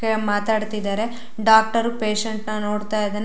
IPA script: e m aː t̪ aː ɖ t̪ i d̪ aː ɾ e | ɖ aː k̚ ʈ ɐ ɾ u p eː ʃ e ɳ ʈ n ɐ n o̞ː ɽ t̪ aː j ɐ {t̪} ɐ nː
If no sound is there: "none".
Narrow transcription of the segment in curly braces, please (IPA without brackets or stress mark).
d̪